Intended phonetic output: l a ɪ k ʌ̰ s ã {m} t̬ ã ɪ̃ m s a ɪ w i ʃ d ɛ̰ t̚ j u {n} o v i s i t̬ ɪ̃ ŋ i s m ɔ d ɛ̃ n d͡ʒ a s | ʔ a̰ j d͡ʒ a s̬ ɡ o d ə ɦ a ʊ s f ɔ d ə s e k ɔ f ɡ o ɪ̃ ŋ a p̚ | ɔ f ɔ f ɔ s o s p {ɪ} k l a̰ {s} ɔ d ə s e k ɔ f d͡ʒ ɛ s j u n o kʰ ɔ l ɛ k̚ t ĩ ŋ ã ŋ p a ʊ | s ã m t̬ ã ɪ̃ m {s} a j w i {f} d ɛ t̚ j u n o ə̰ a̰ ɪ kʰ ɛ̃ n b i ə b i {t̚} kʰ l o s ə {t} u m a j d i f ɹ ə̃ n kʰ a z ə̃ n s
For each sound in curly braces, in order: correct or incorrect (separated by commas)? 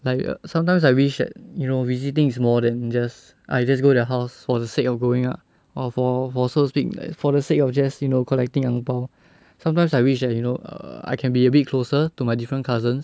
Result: correct, correct, incorrect, incorrect, correct, incorrect, correct, correct